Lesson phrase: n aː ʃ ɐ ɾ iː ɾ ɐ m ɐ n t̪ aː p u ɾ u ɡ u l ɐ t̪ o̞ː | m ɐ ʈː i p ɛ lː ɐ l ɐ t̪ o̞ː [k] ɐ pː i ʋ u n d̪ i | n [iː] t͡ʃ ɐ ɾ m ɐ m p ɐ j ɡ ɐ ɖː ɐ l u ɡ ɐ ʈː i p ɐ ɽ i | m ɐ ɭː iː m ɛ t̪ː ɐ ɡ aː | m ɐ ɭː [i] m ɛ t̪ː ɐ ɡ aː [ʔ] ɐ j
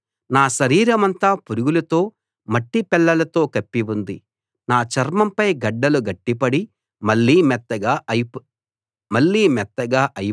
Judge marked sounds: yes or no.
yes, no, no, yes

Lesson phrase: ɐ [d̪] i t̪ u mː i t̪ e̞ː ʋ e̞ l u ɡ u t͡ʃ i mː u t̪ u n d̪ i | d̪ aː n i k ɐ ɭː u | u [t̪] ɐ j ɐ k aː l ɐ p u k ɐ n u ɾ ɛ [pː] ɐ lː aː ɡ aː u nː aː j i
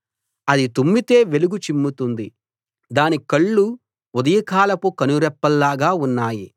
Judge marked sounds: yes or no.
yes, no, yes

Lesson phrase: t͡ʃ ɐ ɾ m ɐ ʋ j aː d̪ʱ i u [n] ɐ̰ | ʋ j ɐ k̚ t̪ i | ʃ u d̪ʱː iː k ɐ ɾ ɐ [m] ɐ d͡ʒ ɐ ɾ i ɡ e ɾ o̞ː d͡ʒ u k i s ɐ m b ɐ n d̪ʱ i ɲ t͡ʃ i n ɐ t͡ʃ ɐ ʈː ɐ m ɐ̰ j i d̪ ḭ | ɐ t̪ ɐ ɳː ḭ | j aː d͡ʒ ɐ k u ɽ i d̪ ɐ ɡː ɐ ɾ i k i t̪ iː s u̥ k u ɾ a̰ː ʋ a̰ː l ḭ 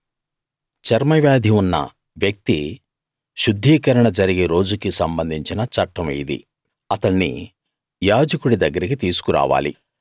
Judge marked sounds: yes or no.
no, no

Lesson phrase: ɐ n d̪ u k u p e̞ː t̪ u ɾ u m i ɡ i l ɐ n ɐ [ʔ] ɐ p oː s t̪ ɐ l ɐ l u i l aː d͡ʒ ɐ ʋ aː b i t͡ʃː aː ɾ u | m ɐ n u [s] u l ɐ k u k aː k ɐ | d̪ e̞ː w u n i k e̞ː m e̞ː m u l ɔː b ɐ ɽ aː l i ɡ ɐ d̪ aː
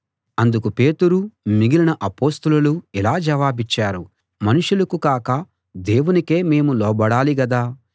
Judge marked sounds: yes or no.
yes, no

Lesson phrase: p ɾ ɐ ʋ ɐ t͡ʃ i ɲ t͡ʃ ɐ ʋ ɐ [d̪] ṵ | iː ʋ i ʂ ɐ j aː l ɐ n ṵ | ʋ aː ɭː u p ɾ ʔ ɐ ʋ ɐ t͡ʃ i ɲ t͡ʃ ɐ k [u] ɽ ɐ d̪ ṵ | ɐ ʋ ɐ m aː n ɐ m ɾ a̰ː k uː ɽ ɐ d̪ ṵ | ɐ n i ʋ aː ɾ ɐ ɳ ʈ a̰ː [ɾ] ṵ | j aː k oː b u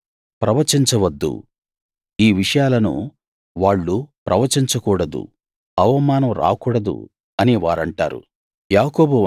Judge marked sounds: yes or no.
no, no, yes

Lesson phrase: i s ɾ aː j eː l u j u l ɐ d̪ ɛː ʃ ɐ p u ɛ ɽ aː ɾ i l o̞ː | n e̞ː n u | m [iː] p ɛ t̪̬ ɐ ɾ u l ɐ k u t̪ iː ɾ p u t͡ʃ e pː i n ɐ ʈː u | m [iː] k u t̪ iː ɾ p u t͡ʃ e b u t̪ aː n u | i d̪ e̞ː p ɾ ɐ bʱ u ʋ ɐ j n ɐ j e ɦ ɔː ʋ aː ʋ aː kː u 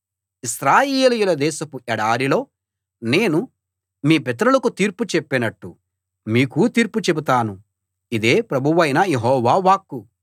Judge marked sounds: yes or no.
yes, yes

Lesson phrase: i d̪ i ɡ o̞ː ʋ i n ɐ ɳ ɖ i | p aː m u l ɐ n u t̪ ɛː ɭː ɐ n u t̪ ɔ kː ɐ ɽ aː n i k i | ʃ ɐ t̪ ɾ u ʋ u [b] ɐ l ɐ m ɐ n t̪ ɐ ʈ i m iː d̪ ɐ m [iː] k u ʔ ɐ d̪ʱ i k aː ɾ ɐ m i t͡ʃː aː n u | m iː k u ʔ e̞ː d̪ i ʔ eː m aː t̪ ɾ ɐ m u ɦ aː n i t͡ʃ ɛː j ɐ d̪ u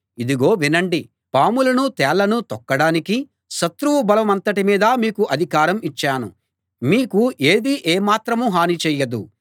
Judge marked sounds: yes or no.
yes, yes

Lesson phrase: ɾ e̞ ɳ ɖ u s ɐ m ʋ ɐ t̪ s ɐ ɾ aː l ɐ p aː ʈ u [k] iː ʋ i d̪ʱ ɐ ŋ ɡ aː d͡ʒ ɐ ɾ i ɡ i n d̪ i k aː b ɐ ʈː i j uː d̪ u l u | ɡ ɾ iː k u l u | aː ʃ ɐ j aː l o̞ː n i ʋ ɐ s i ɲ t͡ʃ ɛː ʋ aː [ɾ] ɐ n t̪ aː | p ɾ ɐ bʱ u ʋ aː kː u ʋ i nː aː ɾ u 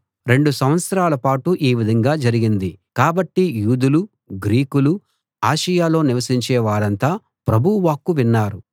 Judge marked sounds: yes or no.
no, yes

